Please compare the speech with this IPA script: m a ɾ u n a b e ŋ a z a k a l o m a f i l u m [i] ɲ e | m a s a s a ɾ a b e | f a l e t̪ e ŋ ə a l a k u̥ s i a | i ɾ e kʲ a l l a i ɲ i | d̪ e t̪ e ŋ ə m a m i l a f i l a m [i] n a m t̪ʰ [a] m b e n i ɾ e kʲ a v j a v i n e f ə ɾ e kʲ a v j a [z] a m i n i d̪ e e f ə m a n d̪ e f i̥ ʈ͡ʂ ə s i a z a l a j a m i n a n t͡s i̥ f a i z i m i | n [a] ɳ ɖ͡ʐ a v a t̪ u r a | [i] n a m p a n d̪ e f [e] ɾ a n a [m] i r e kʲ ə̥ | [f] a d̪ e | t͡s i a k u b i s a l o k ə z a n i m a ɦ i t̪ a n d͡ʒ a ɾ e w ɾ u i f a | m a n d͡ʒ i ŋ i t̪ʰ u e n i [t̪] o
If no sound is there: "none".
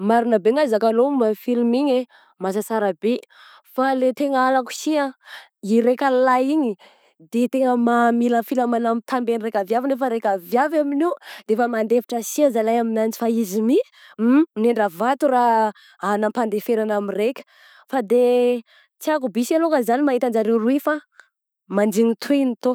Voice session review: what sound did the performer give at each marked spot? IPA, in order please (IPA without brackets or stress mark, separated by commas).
i, a, a, v, e, a, e, m, f, t̪